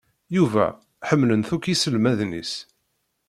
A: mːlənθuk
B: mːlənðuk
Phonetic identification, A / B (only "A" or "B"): A